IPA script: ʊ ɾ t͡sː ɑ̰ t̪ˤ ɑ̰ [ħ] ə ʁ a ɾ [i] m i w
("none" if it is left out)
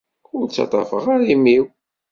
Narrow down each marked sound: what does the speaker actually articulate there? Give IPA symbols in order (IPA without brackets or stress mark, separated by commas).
f, i